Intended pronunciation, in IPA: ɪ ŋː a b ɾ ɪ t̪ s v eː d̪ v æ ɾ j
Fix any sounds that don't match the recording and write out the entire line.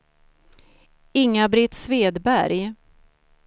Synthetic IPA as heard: ɪ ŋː a b ɾ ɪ t̪ s v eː d̪ b æ ɾ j